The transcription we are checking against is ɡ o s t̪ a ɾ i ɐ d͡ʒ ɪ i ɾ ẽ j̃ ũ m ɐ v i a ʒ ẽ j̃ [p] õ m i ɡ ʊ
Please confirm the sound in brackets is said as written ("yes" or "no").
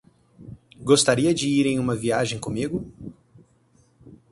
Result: no